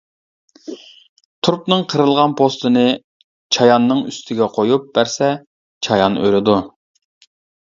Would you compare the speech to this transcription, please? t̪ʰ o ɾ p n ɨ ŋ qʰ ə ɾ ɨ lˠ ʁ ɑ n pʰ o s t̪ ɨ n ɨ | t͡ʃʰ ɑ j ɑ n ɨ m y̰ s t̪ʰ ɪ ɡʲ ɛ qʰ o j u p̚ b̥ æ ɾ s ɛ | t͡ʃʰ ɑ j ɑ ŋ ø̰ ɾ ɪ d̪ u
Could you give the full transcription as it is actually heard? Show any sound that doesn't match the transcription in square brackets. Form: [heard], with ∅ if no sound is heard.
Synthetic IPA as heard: t̪ʰ [u] ɾ p n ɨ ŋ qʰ ə ɾ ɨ lˠ ʁ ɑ n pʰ o s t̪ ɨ n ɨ | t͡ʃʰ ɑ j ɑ [nː] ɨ [ŋ] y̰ s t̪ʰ ɪ ɡʲ ɛ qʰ o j u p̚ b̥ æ ɾ s ɛ | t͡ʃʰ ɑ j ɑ [n] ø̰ ɾ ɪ d̪ u